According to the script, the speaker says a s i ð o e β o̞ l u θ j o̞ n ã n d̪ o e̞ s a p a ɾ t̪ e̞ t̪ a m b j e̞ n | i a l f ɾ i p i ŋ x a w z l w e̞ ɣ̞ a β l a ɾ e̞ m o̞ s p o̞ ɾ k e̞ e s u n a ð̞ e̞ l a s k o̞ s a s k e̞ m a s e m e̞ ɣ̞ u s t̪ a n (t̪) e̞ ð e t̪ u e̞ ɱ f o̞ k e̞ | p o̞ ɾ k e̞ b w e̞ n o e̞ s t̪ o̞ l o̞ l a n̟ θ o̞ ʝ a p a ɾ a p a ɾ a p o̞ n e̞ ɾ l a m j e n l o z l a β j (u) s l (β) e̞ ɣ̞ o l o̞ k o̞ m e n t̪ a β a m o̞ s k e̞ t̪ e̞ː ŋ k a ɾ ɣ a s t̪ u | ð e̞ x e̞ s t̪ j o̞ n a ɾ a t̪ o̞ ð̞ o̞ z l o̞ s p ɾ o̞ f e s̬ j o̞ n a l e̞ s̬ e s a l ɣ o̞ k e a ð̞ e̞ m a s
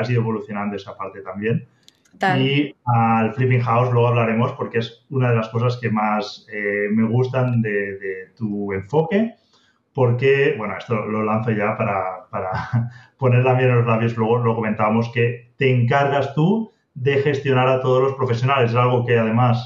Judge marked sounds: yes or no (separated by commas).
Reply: no, no, no